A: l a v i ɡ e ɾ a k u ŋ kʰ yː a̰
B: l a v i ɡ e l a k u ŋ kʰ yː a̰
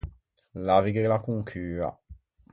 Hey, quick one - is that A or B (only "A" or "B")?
B